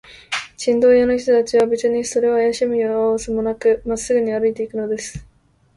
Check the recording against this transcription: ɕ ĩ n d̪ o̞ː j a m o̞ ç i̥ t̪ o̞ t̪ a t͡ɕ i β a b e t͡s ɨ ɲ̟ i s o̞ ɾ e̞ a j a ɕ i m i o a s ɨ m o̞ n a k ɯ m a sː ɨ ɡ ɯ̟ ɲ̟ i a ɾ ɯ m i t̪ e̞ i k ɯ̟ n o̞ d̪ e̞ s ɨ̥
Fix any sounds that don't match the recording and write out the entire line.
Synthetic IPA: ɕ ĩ n d̪ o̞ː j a n o̞ ç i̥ t̪ o̞ t̪ a t͡ɕ i β a b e t͡s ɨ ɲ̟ i s o̞ ɾ e̞ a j a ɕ i m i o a s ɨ m o̞ n a k ɯ m a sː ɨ ɡ ɯ̟ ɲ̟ i a ɾ ɯ i t̪ e̞ i k ɯ̟ n o̞ d̪ e̞ s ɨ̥